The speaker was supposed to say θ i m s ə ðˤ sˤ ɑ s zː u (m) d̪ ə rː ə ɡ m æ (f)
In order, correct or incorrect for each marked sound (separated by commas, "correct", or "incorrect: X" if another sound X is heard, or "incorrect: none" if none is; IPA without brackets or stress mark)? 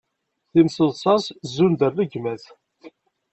incorrect: n, incorrect: θ